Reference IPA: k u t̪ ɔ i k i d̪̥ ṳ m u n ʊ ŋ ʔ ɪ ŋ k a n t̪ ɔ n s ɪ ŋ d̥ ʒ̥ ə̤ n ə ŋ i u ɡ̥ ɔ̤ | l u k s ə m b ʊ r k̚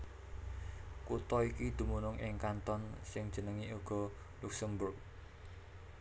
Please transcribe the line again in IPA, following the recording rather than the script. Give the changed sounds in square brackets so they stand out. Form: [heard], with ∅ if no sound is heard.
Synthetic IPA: k u t̪ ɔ i k i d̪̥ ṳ m u n ʊ ŋ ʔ ɪ ŋ k a n t̪ ɔ n s ɪ ŋ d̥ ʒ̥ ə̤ n ə ŋ i u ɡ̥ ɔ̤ | l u k s ə m b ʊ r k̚